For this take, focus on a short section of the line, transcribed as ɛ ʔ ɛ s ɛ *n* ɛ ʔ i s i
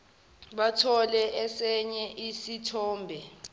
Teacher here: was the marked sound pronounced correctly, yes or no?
no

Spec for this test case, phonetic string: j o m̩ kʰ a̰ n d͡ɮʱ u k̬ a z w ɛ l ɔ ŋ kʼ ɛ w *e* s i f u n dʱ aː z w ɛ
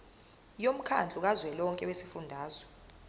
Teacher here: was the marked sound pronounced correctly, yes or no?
yes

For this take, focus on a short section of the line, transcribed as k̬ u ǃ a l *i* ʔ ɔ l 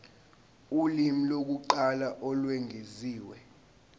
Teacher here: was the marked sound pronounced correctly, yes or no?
no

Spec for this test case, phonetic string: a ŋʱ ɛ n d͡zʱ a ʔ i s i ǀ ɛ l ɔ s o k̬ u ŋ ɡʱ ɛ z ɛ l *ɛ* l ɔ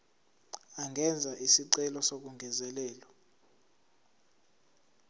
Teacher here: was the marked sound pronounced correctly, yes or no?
no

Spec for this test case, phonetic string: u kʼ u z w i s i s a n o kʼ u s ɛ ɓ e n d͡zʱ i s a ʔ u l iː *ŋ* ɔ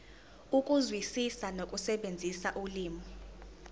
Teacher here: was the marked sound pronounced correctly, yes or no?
no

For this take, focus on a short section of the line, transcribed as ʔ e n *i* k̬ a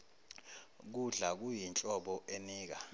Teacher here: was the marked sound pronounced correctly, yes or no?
no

